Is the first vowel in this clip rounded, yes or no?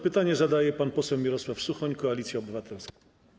no